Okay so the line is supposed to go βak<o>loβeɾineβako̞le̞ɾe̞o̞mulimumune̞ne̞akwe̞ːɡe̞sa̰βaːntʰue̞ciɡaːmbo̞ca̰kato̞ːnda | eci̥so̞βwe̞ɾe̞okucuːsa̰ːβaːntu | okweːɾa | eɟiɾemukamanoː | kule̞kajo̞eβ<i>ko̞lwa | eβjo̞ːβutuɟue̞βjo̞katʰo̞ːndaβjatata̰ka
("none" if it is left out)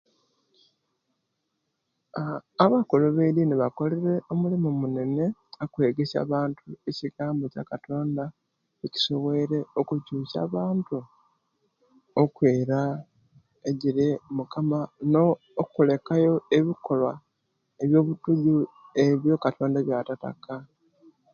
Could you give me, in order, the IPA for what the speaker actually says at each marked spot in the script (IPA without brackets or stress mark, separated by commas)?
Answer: o, i